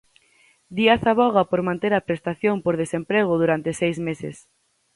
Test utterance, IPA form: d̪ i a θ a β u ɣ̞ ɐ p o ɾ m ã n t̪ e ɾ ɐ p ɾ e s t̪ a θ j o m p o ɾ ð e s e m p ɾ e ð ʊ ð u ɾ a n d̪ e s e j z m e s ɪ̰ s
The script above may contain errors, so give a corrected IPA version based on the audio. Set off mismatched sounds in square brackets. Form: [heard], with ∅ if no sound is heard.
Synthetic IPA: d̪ i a θ a β [ɔ] ɣ̞ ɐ p o ɾ m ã n t̪ e ɾ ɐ p ɾ e s t̪ a θ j o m p o ɾ ð e s e m p ɾ e [ɣ] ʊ ð u ɾ a n [t̪] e s e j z m e s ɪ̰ s